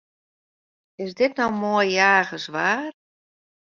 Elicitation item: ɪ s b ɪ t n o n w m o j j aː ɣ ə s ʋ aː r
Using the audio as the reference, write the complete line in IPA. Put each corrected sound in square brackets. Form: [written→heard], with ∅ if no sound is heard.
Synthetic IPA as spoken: ɪ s [b→d] ɪ t n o [n→∅] w m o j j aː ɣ ə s ʋ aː r

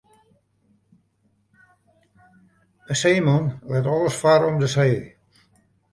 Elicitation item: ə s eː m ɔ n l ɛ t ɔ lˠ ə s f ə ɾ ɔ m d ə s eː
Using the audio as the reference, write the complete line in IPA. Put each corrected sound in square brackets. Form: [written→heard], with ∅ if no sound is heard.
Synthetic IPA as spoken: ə s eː m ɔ n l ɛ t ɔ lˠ ə s f [ə→a] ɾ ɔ m d ə s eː

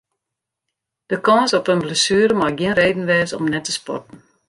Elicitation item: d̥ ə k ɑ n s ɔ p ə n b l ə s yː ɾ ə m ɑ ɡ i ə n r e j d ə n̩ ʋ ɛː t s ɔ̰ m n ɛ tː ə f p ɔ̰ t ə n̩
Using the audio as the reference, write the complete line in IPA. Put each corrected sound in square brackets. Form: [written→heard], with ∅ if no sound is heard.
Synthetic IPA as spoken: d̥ ə k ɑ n s ɔ p ə n b l ə s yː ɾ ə m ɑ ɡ i ə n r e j d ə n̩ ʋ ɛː [t→∅] s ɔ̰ m n ɛ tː ə [f→s] p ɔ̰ t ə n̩

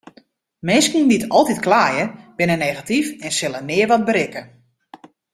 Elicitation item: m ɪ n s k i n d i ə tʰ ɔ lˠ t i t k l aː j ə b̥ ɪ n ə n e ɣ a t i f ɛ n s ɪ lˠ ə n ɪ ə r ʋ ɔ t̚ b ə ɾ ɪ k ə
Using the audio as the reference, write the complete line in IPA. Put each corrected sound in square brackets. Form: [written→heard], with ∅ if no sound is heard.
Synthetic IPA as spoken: m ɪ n s k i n d i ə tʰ ɔ lˠ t i t k l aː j ə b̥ ɪ n ə n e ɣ a t i f ɛ n s ɪ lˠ ə n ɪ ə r ʋ ɔ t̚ b ə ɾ ɪ k ə

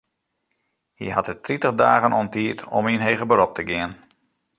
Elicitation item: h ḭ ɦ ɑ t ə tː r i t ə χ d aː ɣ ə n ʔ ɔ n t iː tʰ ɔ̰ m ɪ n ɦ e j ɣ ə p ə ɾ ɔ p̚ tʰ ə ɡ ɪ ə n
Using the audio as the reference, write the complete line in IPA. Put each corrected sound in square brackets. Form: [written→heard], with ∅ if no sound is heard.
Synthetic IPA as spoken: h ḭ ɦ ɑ t ə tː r i t ə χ d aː ɣ ə n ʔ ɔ n t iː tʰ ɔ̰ m [ɪ→i] n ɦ e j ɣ ə [p→b] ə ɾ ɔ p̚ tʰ ə ɡ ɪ ə n

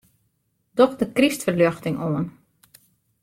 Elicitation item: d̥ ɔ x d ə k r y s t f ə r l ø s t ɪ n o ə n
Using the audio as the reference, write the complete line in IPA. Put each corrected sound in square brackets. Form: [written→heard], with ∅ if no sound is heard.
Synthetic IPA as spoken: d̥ ɔ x d ə k r [y→i] s t f ə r l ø [s→x] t ɪ [n→ŋ] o ə n

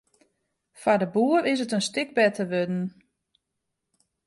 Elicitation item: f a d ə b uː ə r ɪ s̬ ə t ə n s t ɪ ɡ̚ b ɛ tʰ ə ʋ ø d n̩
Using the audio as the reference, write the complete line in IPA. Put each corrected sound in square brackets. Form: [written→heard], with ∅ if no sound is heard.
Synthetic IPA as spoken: f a d ə b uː ə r ɪ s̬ ə t ə n s t ɪ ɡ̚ b ɛ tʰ ə ʋ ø d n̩

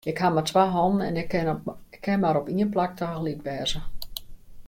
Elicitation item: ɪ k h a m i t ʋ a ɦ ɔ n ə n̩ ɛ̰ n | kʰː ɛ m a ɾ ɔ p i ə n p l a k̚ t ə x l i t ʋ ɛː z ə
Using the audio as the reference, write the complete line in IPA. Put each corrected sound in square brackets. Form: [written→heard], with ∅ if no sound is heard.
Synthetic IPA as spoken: ɪ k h a m [i→a] t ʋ a ɦ ɔ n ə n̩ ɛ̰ n | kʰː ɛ m a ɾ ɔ p i ə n p l a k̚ t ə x l i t ʋ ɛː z ə

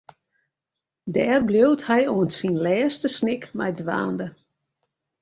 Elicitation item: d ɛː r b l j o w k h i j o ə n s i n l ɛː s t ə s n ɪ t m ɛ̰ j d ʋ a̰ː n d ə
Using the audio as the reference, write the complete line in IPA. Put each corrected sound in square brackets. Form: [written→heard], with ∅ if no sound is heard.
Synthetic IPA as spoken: d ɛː r b l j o w [k→t] h [i→ɛ] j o ə n s i n l ɛː s t ə s n ɪ [t→k] m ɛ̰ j d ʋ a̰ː n d ə

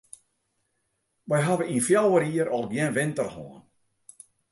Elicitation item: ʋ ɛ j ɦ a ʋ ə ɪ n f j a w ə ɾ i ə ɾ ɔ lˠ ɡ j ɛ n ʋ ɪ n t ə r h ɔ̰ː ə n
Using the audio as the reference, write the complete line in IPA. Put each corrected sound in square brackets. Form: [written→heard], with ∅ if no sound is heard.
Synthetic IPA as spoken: ʋ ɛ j ɦ a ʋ ə [ɪ→i] n f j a w ə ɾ i ə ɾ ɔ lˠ ɡ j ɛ n ʋ ɪ n t ə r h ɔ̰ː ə n

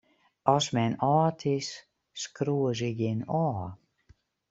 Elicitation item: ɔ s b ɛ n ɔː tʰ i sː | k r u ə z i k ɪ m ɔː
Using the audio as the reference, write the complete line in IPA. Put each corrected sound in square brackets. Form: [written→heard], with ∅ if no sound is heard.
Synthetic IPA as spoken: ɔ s [b→m] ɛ n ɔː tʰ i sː | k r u ə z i [k→ɡ] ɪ [m→n] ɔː

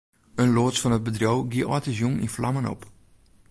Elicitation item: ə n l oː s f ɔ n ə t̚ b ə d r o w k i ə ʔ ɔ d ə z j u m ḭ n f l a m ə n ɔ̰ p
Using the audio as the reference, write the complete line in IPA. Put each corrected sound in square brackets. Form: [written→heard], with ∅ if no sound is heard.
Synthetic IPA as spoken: ə n l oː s f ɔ n ə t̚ b ə d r o w [k→ɡ] i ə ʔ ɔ [d→t] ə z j u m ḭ n f l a m ə n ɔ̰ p

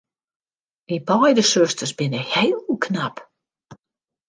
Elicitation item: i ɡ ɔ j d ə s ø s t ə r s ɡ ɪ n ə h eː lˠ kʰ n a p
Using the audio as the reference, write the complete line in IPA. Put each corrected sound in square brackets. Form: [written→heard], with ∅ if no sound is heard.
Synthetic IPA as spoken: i [ɡ→b] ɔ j d ə s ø s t ə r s [ɡ→b] ɪ n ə h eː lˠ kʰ n a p

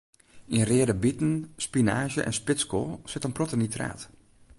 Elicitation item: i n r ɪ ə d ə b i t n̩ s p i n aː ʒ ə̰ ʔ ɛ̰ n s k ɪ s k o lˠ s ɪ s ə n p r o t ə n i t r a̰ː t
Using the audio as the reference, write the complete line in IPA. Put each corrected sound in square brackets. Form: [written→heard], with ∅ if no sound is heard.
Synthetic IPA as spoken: i n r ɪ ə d ə b i t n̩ s p i n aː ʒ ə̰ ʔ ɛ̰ n s [k→p] ɪ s k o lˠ s ɪ [s→t] ə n p r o t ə n i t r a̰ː t

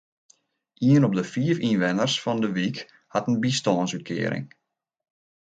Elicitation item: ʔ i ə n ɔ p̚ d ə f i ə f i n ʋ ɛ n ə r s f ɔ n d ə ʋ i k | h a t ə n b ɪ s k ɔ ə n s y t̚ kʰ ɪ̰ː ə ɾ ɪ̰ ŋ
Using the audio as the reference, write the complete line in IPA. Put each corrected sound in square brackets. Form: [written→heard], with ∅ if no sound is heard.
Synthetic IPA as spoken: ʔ i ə n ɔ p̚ d ə f i ə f i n ʋ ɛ n ə r s f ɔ n d ə ʋ i k | h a t ə n b [ɪ→i] s [k→t] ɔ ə n s y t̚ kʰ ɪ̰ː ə ɾ ɪ̰ ŋ

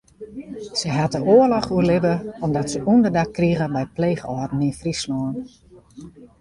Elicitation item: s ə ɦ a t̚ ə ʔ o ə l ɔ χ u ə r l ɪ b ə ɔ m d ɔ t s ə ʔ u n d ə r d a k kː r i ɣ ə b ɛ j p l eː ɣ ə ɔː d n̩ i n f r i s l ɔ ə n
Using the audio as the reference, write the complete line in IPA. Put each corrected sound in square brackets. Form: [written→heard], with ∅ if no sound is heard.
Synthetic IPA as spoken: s ə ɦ a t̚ ə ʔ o ə l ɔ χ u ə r l ɪ b ə ɔ m d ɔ t s ə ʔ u n d ə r d a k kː r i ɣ ə b ɛ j p l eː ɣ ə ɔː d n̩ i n f r i s l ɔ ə n

